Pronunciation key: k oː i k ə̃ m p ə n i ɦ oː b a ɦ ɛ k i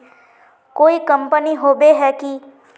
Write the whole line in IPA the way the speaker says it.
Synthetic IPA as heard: k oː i k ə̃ m p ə n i ɦ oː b e ɦ ɛ k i